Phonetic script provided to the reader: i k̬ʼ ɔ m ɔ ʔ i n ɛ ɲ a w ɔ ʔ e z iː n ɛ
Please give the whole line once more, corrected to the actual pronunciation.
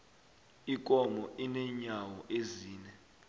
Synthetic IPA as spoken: i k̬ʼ ɔ m ɔ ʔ i n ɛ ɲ a w ɔ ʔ e z iː n ɛ